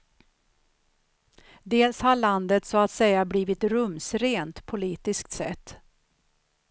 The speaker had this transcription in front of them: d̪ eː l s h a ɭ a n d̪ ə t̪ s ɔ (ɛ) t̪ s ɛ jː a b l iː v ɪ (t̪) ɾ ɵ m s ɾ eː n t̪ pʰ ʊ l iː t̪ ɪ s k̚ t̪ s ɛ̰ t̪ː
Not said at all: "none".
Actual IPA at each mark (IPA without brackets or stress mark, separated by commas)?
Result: a, t̪